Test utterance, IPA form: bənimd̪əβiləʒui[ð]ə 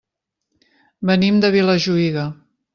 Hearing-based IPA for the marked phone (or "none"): ɣ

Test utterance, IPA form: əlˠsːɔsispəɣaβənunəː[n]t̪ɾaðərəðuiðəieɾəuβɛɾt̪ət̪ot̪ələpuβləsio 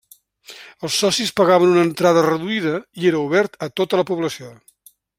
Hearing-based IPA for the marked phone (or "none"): n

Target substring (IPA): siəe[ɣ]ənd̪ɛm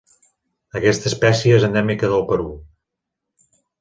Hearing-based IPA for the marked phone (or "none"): z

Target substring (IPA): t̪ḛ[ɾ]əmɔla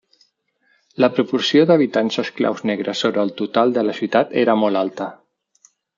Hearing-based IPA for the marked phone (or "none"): ɾ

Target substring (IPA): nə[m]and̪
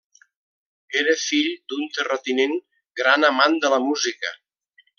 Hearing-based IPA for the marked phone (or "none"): m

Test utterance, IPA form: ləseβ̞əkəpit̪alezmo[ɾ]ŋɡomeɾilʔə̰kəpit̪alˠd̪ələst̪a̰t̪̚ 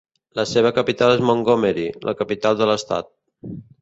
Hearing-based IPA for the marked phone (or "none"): none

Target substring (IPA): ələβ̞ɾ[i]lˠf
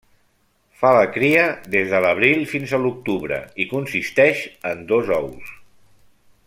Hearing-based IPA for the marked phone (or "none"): i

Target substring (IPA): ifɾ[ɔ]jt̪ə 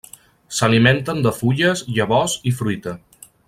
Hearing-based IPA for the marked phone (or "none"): u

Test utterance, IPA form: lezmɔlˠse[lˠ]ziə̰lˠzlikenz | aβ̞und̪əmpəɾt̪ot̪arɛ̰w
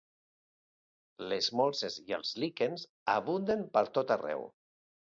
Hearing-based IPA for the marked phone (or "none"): none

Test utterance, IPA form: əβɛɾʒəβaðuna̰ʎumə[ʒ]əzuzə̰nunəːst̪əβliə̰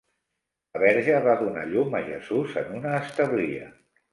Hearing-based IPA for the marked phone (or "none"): ʒ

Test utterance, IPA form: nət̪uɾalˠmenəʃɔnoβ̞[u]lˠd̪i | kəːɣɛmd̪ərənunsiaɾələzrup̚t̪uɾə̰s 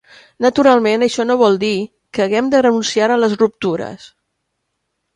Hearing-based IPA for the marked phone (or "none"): ɔ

